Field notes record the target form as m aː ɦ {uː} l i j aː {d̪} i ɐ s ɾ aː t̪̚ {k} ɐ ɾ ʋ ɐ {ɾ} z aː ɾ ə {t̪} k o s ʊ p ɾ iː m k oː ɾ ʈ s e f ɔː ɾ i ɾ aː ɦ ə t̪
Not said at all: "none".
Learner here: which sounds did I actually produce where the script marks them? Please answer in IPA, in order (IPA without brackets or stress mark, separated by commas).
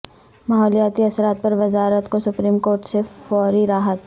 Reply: ɔː, t̪, p, none, t̪